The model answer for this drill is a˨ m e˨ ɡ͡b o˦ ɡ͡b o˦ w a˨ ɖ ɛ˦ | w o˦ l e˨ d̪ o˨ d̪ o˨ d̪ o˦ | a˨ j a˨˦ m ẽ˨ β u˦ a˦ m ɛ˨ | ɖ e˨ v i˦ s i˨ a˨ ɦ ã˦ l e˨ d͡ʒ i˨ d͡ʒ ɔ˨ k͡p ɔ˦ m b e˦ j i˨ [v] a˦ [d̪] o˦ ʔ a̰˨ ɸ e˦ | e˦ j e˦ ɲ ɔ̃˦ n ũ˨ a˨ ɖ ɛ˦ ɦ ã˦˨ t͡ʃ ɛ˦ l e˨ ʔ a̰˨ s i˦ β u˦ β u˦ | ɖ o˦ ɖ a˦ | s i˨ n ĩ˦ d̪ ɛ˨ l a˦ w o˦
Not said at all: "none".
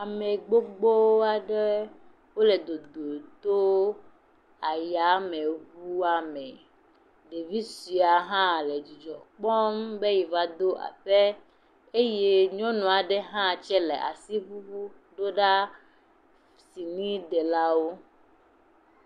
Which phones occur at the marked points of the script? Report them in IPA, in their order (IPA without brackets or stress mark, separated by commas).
v, d̪